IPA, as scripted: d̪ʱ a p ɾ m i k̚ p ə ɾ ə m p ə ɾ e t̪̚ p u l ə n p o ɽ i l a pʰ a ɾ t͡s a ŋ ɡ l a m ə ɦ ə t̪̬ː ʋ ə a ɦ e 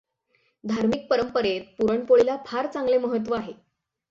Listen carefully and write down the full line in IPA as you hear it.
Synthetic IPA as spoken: d̪ʱ a ɾ m i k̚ p ə ɾ ə m p ə ɾ e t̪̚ p u ɾ ə ɳ p o ɭ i l a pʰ a ɾ t͡s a ŋ ɡ l e m ə ɦ ə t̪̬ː ʋ ə a ɦ e